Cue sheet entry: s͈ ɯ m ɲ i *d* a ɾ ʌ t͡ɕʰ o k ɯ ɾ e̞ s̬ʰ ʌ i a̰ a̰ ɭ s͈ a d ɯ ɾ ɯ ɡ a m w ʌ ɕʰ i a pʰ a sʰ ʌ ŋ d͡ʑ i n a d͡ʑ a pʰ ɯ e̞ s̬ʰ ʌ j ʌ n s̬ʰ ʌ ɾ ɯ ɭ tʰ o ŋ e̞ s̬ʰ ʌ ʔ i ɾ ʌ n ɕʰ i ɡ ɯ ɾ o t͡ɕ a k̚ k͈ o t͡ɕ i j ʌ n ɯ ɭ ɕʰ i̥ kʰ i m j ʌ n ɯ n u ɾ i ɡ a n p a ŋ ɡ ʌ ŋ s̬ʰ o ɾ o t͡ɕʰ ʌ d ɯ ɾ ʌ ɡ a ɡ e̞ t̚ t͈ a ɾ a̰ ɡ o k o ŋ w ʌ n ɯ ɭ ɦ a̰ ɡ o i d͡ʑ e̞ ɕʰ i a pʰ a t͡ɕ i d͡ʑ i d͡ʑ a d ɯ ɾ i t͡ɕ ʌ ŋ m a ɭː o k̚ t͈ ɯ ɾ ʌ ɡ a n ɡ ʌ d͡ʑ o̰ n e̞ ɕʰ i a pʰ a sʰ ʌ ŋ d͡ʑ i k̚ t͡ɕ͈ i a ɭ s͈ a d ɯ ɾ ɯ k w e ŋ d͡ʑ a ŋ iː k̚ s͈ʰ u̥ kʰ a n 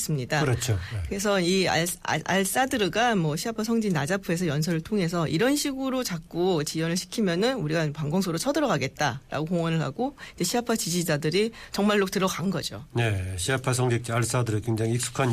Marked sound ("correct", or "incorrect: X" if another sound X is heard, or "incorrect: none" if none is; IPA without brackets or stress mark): correct